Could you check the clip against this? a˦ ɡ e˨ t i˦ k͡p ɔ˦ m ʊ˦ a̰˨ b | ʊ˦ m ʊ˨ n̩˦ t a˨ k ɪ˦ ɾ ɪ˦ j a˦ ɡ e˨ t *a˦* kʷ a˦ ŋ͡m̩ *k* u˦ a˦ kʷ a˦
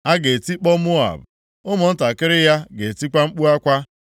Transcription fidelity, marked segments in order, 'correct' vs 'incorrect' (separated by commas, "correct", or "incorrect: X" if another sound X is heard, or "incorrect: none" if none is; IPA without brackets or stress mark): incorrect: i˦, incorrect: k͡p